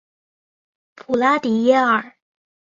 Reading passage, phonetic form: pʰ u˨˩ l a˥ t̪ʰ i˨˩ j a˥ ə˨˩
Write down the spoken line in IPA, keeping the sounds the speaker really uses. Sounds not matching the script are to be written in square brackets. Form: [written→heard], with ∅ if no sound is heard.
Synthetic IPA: pʰ u˨˩ l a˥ [t̪ʰ→t̪] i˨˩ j [a˥→ɛ˥] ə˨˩